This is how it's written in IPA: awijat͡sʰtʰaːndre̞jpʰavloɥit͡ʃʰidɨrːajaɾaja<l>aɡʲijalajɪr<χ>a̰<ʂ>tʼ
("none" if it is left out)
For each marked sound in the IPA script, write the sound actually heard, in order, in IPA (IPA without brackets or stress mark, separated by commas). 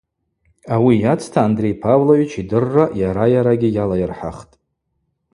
ɾ, ħ, χ